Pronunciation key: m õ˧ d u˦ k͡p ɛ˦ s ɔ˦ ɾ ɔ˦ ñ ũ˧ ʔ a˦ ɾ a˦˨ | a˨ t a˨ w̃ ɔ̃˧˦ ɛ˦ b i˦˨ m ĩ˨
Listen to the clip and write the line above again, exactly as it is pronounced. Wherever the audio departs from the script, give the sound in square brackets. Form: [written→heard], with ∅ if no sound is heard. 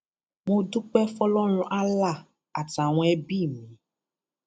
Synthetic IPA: m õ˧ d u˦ k͡p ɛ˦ [s→f] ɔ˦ [ɾ→l] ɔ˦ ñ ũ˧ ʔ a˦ [ɾ→l] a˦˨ | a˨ t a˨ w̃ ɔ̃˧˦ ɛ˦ b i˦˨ m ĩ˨

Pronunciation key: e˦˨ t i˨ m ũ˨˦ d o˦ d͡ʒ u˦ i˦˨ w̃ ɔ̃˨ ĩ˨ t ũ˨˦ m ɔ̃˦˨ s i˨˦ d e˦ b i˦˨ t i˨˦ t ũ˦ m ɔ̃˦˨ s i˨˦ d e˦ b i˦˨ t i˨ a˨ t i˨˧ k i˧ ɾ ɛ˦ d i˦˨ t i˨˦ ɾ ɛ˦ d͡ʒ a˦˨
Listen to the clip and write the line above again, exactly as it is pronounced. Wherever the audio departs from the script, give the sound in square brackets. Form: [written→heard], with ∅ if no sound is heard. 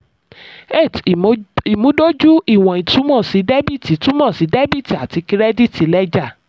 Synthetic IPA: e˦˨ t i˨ m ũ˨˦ d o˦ d͡ʒ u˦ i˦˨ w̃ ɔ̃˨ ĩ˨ t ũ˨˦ m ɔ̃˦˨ s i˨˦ d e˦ b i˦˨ t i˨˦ t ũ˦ m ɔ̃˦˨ s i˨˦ d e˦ b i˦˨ t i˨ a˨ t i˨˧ k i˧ ɾ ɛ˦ d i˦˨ t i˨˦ [ɾ→l] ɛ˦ d͡ʒ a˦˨

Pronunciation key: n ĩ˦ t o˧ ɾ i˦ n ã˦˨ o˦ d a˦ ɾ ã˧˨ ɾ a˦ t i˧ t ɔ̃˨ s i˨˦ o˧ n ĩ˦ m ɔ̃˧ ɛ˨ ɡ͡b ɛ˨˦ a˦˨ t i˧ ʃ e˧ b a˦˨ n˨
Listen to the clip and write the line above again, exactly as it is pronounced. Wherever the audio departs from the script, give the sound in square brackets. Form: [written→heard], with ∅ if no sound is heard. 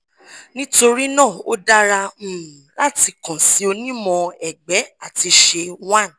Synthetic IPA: n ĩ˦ t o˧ ɾ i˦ n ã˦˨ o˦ d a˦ ɾ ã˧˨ [ɾ→l] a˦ t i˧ [t→k] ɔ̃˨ s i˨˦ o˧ n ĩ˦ m ɔ̃˧ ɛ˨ ɡ͡b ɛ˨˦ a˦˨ t i˧ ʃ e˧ [b→w] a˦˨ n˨

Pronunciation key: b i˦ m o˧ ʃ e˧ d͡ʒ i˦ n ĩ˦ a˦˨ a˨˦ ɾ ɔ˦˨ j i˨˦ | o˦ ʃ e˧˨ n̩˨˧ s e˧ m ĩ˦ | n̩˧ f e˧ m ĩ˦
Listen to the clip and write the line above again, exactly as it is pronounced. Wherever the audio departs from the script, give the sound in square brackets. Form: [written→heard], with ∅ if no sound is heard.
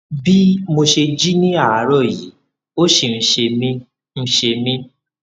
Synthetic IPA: b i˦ m o˧ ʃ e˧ d͡ʒ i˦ n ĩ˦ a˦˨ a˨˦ ɾ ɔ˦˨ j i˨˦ | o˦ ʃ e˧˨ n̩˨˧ [s→ʃ] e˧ m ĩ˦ | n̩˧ [f→ʃ] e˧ m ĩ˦

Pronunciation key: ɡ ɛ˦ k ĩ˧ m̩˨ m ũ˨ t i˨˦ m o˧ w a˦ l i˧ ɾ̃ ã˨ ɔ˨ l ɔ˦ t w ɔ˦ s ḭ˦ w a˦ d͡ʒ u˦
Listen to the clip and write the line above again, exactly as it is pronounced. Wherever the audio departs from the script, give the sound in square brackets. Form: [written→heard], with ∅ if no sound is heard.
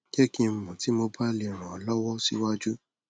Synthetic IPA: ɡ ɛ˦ k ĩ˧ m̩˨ m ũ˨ t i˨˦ m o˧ [w→b] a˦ l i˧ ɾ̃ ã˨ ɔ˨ l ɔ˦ [t→∅] w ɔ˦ s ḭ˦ w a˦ d͡ʒ u˦

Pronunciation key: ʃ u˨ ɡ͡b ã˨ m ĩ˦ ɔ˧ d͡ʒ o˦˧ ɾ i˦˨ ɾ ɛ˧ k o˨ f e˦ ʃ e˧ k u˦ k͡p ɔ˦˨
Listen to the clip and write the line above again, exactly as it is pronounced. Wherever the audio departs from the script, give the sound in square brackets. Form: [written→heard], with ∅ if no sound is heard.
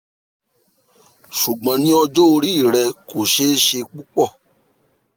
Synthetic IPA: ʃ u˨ ɡ͡b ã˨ [m→n] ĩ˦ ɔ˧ d͡ʒ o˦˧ ɾ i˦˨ ɾ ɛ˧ k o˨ [f→ʃ] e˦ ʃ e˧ [k→k͡p] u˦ k͡p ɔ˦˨

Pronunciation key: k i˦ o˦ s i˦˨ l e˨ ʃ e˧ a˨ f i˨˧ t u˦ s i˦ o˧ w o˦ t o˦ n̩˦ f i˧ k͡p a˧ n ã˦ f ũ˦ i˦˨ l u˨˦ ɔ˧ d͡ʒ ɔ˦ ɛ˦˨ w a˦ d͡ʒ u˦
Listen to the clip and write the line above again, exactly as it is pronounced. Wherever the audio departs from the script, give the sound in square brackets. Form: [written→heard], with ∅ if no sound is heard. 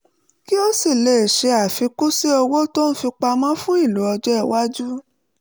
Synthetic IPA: k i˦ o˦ s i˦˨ l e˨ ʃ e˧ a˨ f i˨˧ [t→k] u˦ s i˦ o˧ w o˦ t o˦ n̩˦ f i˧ k͡p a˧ [n→m] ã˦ f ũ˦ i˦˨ l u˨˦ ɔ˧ d͡ʒ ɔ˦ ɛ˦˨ w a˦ d͡ʒ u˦

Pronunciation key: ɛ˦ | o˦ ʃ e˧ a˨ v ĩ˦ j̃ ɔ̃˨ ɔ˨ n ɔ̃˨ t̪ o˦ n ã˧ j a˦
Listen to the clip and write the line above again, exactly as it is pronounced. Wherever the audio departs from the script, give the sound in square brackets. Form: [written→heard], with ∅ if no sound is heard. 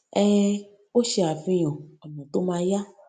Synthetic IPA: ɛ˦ | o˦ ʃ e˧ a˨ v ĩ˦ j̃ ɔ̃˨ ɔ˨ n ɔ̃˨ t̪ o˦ [n→m] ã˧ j a˦

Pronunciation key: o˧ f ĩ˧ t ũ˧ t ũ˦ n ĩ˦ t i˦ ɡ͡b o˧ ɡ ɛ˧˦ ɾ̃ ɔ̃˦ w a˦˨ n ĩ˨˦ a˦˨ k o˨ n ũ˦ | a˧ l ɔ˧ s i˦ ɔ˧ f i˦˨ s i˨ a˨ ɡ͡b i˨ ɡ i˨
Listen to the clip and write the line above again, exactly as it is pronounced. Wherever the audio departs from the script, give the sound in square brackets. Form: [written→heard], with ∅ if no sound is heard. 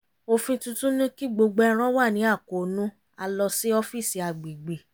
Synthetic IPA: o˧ f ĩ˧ t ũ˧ t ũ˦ n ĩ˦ [t→k] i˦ ɡ͡b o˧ [ɡ→ɡ͡b] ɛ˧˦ ɾ̃ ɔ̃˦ w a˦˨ n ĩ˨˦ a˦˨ k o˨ n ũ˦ | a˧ l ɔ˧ s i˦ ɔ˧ f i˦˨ s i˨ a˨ ɡ͡b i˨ [ɡ→ɡ͡b] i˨

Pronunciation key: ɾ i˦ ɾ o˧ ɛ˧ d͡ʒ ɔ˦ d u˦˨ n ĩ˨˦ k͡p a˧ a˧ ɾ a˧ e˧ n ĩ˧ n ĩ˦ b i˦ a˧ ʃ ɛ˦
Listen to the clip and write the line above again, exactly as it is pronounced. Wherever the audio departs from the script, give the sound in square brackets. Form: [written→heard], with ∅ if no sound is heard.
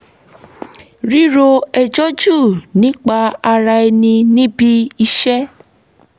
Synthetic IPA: ɾ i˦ ɾ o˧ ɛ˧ d͡ʒ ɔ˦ [d→d͡ʒ] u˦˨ n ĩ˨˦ k͡p a˧ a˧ ɾ a˧ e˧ n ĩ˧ n ĩ˦ b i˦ [a˧→i˧] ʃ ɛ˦

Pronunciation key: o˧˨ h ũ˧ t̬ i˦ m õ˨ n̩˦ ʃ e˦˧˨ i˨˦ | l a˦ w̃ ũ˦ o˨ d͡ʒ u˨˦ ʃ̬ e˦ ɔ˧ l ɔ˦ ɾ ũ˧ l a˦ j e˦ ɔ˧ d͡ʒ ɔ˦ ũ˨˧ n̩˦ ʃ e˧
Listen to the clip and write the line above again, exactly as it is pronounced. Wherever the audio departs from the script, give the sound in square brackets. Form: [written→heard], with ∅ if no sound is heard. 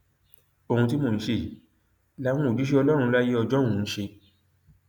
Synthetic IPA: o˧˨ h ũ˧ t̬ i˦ m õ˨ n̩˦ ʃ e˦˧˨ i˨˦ | l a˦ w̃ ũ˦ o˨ d͡ʒ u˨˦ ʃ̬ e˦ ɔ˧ l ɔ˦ ɾ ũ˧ l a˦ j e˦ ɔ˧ d͡ʒ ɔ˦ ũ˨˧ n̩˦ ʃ e˧

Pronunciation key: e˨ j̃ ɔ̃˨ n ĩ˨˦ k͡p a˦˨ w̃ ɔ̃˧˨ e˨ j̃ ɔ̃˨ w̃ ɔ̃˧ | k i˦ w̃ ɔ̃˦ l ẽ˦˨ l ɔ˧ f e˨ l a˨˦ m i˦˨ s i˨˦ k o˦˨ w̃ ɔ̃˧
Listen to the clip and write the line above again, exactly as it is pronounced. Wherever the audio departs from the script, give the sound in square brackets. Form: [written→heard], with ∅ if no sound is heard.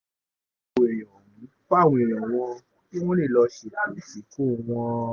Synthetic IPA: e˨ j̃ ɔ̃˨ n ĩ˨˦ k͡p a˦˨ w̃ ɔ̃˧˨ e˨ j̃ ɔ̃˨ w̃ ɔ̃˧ | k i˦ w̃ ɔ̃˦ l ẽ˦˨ l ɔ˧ [f→ʃ] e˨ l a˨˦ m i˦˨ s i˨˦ k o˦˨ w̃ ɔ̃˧

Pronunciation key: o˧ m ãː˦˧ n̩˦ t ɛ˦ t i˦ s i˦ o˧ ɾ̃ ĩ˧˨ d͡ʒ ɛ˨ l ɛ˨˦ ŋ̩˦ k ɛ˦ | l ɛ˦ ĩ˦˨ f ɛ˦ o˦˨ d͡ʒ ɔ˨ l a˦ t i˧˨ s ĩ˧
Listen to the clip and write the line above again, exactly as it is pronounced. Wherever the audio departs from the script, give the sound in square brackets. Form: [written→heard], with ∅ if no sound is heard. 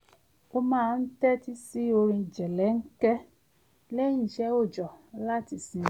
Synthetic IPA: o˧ m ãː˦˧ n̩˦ t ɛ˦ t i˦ s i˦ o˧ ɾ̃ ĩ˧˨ d͡ʒ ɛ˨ l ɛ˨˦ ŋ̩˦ k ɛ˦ | l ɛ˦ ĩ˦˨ [f→ʃ] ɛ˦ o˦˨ d͡ʒ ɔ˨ l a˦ t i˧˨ s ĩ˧

